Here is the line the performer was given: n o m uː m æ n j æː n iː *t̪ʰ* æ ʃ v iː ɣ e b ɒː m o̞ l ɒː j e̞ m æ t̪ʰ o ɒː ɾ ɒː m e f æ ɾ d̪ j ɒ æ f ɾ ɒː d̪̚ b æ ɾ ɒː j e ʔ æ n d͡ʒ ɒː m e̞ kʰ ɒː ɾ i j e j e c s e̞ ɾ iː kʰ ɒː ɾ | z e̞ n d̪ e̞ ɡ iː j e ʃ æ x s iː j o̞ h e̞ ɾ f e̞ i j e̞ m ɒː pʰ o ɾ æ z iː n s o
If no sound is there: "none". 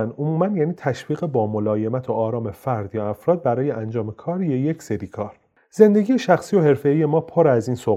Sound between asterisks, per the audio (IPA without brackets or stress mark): t̪ʰ